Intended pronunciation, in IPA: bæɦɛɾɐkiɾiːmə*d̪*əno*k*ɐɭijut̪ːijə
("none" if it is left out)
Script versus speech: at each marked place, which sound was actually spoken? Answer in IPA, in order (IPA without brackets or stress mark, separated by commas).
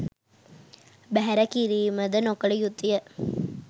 d̪, k